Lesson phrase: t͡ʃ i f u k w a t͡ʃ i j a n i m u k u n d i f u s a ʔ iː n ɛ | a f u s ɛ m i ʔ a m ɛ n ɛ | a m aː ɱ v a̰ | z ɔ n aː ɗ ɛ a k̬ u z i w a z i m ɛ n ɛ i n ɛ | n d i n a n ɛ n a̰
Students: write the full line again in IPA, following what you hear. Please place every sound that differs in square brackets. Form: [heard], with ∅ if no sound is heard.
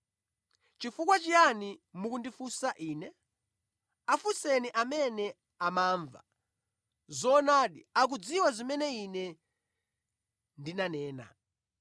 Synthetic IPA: t͡ʃ i f u k w a t͡ʃ i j a n i m u k u n d i f u s a ʔ iː n ɛ | a f u s ɛ [n] i ʔ a m ɛ n ɛ | a m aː ɱ v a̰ | z ɔ n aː ɗ [i] a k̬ u [d͡z] i w a z i m ɛ n ɛ i n ɛ | n d i n a n [ɛː] n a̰

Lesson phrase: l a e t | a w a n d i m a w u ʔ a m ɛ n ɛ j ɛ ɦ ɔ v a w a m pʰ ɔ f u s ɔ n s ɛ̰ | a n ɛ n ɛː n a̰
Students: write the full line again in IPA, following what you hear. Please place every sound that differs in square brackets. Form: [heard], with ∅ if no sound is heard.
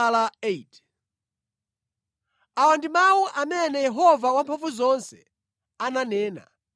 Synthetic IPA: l a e t | a w a n d i m a w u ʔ a m ɛ n ɛ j ɛ ɦ ɔ v a w a m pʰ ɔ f u [z] ɔ n s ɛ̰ | a n [a] n ɛː n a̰

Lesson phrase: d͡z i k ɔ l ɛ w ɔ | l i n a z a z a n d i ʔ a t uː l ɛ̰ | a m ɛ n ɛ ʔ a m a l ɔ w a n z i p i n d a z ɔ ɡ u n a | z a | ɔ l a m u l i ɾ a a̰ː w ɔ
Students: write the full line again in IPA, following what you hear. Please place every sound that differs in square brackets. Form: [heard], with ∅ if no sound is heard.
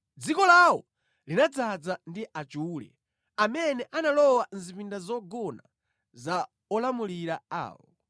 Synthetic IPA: d͡z i k ɔ l [a] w ɔ | l i n a [d͡z] a [d͡z] a n d i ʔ a [t͡ʃ] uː l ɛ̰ | a m ɛ n ɛ ʔ a [n] a l ɔ w a n z i p i n d a z ɔ ɡ [ɔ] n a | z a | ɔ l a m u l i ɾ a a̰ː w ɔ

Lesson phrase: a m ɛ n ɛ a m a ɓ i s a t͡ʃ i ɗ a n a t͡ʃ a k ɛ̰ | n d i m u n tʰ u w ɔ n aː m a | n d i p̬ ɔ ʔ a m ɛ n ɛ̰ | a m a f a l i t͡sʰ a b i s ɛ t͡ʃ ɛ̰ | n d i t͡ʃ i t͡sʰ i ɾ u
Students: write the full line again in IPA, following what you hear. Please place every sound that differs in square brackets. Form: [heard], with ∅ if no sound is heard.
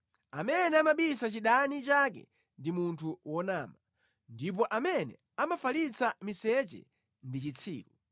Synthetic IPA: a m ɛ n ɛ a m a ɓ i s a t͡ʃ i ɗ a n [i] t͡ʃ a k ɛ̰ | n d i m u n tʰ u w ɔ n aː m a | n d i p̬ ɔ ʔ a m ɛ n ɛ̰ | a m a f a l i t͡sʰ a [m] i s ɛ t͡ʃ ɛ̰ | n d i t͡ʃ i t͡sʰ [iː] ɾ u

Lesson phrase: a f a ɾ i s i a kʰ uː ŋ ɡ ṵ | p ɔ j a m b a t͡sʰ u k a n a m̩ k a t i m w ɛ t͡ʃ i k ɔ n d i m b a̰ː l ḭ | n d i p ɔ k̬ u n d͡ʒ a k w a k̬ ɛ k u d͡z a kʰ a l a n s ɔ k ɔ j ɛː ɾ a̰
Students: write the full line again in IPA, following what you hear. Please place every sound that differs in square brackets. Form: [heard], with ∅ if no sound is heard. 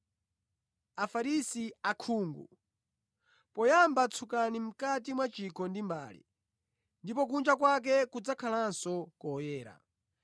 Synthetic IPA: a f a ɾ i s i a kʰ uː ŋ ɡ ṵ | p ɔ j a m b a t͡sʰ u k a n [i] m̩ k a t i m w [a] t͡ʃ i k ɔ n d i m b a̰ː l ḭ | n d i p ɔ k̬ u n d͡ʒ a k w a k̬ ɛ k u d͡z a kʰ a l a n s ɔ k ɔ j ɛː ɾ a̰

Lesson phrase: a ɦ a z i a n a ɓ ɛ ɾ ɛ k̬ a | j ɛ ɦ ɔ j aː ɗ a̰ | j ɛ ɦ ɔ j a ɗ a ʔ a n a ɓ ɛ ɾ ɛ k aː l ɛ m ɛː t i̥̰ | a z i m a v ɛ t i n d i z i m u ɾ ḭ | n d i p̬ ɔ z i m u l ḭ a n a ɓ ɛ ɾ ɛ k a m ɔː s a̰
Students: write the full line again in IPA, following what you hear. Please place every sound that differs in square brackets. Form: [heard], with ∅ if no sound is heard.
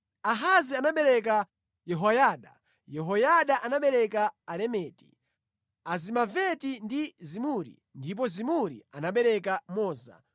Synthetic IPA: a ɦ a z i a n a ɓ ɛ ɾ ɛ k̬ a | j ɛ ɦ ɔ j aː ɗ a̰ | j ɛ ɦ ɔ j a ɗ a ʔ a n a ɓ ɛ ɾ ɛ k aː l ɛ m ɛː t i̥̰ | a z i m a v ɛ t i n d i z i m u ɾ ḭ | n d i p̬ ɔ z i m u [ɾ] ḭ a n a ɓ ɛ ɾ ɛ k a m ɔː [z] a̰

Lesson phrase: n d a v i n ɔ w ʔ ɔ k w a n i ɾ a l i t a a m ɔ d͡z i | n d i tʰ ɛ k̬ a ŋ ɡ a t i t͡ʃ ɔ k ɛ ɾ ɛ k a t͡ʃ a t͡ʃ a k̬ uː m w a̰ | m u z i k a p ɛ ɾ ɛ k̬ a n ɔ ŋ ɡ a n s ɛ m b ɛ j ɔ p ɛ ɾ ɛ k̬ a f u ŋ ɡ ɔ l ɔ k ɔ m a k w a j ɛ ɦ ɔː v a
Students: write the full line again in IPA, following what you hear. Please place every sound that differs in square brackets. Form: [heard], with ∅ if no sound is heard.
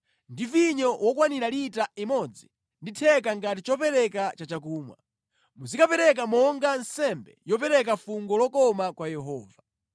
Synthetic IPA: n d [i] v i [ɲ] ɔ w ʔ ɔ k w a n i ɾ a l i t a [i] m ɔ d͡z i | n d i tʰ ɛ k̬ a ŋ ɡ a t i t͡ʃ ɔ [p] ɛ ɾ ɛ k a t͡ʃ a t͡ʃ a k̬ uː m w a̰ | m u z i k a p ɛ ɾ ɛ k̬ a [m] ɔ ŋ ɡ a n s ɛ m b ɛ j ɔ p ɛ ɾ ɛ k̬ a f u ŋ ɡ ɔ l ɔ k ɔ m a k w a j ɛ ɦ ɔː v a

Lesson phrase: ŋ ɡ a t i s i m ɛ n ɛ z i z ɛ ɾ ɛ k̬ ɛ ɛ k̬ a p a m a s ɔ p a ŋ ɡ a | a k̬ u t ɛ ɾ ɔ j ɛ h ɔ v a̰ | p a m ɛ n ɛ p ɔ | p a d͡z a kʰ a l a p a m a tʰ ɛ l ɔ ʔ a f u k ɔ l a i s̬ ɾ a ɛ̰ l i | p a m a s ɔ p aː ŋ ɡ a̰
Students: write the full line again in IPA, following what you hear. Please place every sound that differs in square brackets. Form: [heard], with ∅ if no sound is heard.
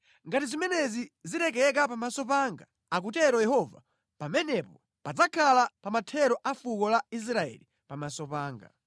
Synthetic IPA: ŋ ɡ a t i [z] i m ɛ n ɛ z i z [i] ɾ ɛ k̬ ɛ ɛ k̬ a p a m a s ɔ p a ŋ ɡ a | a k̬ u t ɛ ɾ ɔ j ɛ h ɔ v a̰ | p a m ɛ n ɛ p ɔ | p a d͡z a kʰ a l a p a m a tʰ ɛ [ɾ] ɔ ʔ a f u k ɔ l a i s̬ ɾ a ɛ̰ l i | p a m a s ɔ p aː ŋ ɡ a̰

